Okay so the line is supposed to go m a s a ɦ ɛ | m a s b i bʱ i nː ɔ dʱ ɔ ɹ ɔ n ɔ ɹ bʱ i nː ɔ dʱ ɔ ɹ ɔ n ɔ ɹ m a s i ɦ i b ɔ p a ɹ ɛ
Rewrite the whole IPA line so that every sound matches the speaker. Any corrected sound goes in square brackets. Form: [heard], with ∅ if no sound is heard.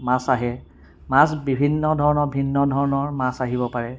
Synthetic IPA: m a s a ɦ ɛ | m a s b i bʱ i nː ɔ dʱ ɔ ɹ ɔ n ɔ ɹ bʱ i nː ɔ dʱ ɔ ɹ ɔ n ɔ ɹ m a s [a] ɦ i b ɔ p a ɹ ɛ